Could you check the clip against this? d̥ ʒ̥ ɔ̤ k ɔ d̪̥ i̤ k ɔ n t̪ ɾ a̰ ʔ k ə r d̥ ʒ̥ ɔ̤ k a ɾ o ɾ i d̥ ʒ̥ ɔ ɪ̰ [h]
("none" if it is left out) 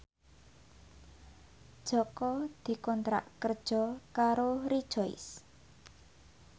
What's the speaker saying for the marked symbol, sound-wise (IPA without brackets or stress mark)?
s